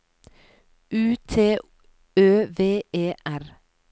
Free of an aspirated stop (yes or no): no